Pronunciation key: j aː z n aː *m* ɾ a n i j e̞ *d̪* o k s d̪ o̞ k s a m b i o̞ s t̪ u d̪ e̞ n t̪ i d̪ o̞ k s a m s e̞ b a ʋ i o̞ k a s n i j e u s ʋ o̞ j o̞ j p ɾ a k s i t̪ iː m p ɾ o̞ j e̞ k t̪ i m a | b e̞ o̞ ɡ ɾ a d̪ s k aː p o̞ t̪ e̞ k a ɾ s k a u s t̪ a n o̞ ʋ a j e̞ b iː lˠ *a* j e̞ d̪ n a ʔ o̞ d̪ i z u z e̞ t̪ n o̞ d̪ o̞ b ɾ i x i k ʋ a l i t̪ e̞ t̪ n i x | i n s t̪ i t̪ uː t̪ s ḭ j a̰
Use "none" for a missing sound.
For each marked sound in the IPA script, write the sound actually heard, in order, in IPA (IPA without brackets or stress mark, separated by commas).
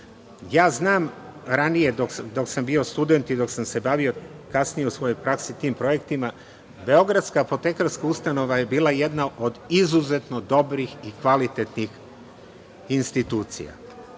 m, d̪, a